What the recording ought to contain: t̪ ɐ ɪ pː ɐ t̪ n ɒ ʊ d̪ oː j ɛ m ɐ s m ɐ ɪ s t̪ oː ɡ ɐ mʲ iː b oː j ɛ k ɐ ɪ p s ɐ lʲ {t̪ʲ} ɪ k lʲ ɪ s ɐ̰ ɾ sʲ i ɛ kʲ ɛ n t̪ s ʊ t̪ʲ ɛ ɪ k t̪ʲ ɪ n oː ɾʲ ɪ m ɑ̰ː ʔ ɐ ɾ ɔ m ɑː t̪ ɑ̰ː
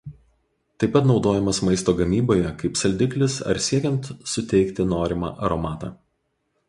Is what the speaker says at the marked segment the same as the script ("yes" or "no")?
no